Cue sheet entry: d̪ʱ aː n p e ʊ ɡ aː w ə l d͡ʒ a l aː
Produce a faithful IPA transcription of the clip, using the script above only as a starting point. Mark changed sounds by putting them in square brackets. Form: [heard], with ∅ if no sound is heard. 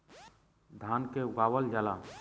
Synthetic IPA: d̪ʱ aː n [k] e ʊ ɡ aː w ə l d͡ʒ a l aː